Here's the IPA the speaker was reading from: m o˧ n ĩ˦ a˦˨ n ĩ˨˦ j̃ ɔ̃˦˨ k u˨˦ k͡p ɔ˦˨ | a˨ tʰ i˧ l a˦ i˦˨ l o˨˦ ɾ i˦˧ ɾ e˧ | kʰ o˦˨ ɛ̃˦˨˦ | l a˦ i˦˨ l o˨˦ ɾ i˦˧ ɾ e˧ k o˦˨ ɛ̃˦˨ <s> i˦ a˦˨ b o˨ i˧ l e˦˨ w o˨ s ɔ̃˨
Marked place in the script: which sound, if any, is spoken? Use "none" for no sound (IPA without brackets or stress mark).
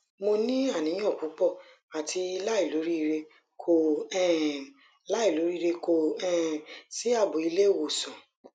s